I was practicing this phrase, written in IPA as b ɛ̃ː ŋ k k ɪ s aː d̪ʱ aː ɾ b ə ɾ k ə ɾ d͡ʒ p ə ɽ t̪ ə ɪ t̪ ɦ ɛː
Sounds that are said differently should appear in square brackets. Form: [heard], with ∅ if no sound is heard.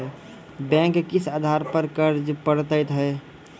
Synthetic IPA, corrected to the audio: b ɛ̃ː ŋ k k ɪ s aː d̪ʱ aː ɾ [p] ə ɾ k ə ɾ d͡ʒ p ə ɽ t̪ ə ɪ t̪ ɦ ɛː